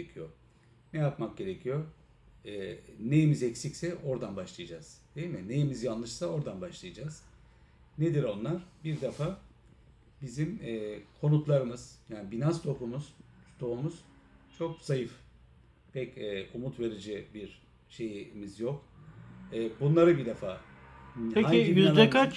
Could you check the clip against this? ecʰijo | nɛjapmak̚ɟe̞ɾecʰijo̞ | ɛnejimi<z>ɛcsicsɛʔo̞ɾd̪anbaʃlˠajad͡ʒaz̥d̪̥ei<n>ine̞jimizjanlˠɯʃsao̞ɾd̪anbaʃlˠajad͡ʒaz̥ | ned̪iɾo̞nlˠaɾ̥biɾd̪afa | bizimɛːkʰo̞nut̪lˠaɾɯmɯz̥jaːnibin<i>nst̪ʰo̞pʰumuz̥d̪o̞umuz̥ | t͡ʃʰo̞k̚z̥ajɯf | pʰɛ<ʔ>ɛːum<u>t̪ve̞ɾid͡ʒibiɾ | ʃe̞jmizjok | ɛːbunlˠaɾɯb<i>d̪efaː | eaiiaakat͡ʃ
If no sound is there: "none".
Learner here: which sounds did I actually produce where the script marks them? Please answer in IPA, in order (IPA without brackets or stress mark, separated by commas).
z, m, a, c, u, i